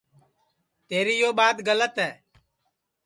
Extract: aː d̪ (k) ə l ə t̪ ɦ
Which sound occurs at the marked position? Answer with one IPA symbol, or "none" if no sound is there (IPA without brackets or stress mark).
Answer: ɡ